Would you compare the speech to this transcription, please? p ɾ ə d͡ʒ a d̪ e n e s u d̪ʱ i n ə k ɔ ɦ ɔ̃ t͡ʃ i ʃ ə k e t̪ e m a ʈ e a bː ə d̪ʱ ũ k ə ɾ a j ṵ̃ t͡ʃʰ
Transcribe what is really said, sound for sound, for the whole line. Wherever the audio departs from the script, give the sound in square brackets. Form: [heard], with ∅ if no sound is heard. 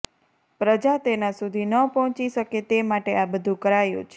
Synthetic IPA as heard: p ɾ ə d͡ʒ a [t̪] e n [a] s u d̪ʱ i n ə [p] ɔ ɦ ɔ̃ t͡ʃ i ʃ ə k e t̪ e m a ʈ e a [b] ə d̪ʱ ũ k ə ɾ a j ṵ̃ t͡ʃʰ